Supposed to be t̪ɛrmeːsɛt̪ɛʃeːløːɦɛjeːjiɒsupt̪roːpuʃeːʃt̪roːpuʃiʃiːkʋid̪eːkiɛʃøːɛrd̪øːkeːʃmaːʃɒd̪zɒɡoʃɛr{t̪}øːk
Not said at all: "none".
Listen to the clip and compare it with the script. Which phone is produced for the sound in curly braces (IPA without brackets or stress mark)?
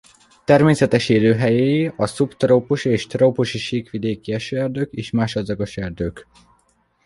d̪